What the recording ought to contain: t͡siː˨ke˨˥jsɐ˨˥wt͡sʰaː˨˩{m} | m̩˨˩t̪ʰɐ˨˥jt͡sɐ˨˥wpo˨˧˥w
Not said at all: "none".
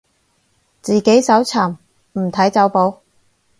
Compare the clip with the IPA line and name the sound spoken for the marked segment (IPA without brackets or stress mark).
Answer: m